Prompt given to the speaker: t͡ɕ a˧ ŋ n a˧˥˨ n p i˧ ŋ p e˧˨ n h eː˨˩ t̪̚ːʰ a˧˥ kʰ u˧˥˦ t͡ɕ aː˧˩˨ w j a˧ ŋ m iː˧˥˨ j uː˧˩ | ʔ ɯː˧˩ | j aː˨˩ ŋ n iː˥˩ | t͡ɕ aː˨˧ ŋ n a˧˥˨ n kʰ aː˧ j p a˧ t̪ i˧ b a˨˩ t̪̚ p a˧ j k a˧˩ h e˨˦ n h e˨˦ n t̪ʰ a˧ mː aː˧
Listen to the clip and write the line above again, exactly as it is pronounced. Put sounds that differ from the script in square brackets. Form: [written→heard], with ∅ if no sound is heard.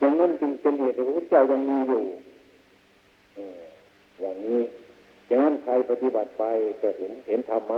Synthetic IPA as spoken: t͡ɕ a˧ ŋ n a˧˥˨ n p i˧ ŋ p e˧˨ n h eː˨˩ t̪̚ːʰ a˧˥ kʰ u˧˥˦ t͡ɕ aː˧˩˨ w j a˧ ŋ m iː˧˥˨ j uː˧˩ | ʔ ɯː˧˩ | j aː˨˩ ŋ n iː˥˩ | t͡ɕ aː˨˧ ŋ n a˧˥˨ n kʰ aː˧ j p a˧ t̪ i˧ b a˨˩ t̪̚ p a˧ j k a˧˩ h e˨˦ n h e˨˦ n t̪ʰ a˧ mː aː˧